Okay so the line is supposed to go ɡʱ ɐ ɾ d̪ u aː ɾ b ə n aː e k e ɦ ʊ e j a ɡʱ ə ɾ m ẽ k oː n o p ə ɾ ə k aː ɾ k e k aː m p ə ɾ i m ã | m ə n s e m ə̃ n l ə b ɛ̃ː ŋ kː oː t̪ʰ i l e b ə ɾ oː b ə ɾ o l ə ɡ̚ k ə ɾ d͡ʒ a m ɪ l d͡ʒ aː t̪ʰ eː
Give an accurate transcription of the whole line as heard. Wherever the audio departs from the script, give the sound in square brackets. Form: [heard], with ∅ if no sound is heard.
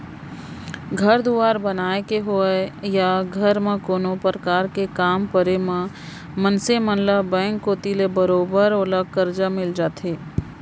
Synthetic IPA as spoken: ɡʱ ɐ ɾ d̪ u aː ɾ b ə n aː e k e ɦ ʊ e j a ɡʱ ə ɾ m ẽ k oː n o p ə ɾ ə k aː ɾ k e k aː m p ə ɾ [e] m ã | m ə n s e m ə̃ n l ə b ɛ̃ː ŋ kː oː [t̪] i l e b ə ɾ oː b ə ɾ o l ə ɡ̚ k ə ɾ d͡ʒ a m ɪ l d͡ʒ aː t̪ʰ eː

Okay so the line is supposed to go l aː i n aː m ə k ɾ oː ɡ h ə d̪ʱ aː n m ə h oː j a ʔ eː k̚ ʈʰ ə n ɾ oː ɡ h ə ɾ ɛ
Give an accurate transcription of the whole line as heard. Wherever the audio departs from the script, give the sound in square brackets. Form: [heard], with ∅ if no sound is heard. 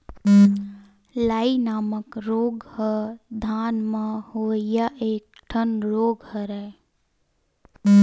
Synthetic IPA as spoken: l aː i n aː m ə k ɾ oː ɡ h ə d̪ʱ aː n m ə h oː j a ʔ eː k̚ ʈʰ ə n ɾ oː ɡ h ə ɾ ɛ

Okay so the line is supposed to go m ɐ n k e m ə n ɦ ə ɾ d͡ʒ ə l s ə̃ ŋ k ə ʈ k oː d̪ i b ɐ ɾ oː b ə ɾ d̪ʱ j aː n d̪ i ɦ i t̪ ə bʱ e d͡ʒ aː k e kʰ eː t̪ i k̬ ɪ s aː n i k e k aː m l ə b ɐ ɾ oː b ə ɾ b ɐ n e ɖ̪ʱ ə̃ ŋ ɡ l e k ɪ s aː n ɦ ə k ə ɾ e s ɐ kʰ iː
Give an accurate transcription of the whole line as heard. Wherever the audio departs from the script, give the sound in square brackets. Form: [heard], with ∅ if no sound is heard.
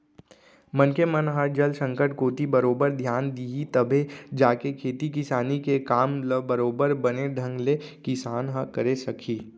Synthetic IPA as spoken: m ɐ n k e m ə n ɦ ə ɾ d͡ʒ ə l s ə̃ ŋ k ə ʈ k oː [t̪] i b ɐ ɾ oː b ə ɾ d̪ʱ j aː n d̪ i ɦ i t̪ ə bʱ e d͡ʒ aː k e kʰ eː t̪ i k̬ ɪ s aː n i k e k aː m l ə b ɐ ɾ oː b ə ɾ b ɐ n e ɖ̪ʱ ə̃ ŋ ɡ l e k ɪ s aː n ɦ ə k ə ɾ e s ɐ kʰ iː

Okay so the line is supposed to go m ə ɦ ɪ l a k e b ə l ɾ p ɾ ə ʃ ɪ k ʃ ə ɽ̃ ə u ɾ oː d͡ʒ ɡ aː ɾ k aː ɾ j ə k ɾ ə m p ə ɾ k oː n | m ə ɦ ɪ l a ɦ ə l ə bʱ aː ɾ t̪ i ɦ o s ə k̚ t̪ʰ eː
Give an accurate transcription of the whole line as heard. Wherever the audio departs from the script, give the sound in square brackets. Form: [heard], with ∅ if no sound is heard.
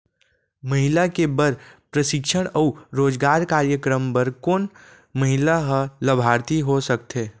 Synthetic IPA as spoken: m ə ɦ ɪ l a k e b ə [∅] ɾ p ɾ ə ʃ ɪ k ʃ ə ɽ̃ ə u ɾ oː d͡ʒ ɡ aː ɾ k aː ɾ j ə k ɾ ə m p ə ɾ k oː n | m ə ɦ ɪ l a ɦ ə l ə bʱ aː ɾ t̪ i ɦ o s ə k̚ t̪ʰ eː

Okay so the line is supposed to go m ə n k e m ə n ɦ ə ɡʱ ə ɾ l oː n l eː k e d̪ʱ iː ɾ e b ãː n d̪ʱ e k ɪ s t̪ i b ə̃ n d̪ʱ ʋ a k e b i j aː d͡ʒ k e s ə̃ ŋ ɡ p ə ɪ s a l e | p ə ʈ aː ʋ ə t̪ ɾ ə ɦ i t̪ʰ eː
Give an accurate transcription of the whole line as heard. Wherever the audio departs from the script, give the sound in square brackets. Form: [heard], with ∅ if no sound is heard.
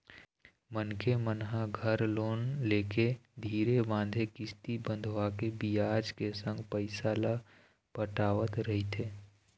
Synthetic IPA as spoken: m ə n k e m ə n ɦ [a] ɡʱ ə ɾ l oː n l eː k e d̪ʱ iː ɾ e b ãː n d̪ʱ e k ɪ s t̪ i b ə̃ n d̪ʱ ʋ a k e b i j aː d͡ʒ k e s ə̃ ŋ ɡ p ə ɪ s a l [a] | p ə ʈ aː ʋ ə t̪ ɾ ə ɦ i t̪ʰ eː

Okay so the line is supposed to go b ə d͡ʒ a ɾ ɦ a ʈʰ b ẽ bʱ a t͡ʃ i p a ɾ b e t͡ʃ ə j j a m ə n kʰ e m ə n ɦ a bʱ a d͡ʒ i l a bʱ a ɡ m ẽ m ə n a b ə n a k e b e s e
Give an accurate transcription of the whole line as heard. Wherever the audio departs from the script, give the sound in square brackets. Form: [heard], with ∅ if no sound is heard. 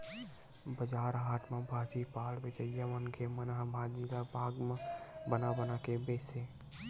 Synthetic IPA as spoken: b ə d͡ʒ a ɾ ɦ a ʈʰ [m] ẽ bʱ a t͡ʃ i p a [l] b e t͡ʃ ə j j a m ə n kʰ e m ə n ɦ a bʱ a d͡ʒ i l a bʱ a ɡ m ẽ [b] ə n a b ə n a k e b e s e

